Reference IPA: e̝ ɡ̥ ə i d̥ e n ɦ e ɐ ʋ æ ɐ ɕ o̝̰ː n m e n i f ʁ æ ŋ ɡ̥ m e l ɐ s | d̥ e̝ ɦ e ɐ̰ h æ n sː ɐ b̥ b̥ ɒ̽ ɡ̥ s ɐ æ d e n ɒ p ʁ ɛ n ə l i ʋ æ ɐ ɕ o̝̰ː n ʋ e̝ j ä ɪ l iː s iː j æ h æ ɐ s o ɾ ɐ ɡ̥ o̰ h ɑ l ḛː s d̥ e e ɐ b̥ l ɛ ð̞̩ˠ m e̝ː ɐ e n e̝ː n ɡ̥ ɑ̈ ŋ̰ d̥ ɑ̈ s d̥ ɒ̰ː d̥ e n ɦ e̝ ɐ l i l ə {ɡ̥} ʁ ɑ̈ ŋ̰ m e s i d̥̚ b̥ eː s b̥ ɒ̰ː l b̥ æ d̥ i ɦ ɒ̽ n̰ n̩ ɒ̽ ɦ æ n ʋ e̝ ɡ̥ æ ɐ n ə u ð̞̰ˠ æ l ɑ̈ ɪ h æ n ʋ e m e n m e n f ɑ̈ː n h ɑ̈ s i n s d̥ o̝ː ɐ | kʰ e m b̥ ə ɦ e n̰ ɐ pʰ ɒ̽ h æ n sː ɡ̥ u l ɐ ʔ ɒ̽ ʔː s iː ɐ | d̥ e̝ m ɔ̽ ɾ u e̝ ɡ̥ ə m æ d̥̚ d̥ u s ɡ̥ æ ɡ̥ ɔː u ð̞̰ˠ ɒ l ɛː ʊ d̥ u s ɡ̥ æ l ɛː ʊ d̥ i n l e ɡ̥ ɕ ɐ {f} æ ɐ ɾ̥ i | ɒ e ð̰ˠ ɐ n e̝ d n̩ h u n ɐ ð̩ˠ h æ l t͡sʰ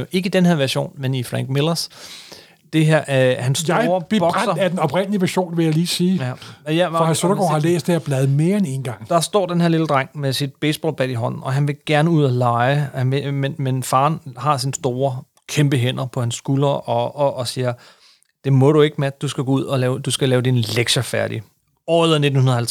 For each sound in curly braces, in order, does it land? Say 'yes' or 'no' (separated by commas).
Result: no, yes